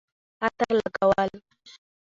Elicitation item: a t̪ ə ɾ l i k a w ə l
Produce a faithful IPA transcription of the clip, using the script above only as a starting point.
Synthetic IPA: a t̪ a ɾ l a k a w a l